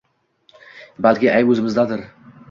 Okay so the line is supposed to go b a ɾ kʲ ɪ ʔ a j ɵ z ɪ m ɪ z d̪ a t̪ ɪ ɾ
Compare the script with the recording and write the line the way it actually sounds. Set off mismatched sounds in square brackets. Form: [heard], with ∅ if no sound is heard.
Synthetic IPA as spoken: b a [l] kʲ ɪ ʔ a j ɵ z ɪ m ɪ z d̪ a [d̪] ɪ ɾ